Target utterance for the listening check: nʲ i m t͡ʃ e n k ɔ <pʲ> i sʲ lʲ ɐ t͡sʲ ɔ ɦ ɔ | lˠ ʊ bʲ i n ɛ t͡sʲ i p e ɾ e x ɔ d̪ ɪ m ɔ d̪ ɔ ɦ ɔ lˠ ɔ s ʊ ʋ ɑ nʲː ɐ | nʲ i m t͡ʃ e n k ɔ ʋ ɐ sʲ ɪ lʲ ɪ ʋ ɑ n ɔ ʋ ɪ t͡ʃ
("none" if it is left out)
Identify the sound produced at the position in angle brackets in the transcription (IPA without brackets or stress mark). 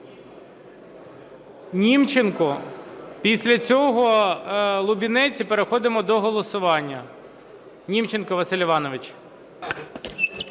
pʲ